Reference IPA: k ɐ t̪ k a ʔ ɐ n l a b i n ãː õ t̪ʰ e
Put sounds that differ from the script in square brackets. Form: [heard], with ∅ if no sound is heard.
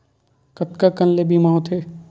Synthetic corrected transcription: k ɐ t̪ k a [k] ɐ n l [e] b i [m] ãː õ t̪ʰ e